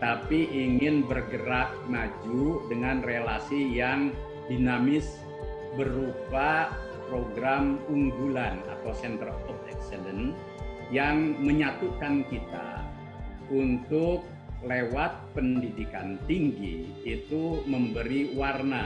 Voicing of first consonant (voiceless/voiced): voiceless